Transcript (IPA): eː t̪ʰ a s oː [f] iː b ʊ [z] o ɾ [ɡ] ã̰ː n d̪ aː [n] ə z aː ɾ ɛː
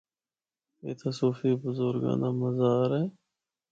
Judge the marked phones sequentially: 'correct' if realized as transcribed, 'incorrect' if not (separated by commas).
correct, correct, correct, incorrect